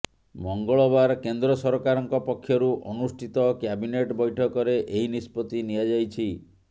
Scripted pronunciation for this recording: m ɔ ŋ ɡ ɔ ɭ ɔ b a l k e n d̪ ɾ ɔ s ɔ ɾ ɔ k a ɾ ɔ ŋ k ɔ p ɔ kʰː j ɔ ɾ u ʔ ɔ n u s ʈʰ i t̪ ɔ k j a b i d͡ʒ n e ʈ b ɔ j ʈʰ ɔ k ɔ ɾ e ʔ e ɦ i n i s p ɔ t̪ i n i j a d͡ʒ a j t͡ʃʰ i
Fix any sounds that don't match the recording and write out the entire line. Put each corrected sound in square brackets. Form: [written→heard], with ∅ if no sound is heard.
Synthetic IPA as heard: m ɔ ŋ ɡ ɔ ɭ ɔ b a [l→ɾ] k e n d̪ ɾ ɔ s ɔ ɾ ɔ k a ɾ ɔ ŋ k ɔ p ɔ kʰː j ɔ ɾ u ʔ ɔ n u s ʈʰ i t̪ ɔ k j a b i [d͡ʒ→∅] n e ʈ b ɔ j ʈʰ ɔ k ɔ ɾ e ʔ e ɦ i n i s p ɔ t̪ i n i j a d͡ʒ a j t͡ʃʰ i